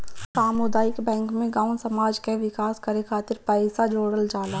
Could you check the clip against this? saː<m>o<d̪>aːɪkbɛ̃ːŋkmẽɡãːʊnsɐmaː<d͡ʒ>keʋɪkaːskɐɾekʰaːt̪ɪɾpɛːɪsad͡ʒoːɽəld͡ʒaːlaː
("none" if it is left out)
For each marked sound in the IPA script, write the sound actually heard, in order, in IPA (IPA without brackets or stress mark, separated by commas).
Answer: m, d̪, d͡ʒ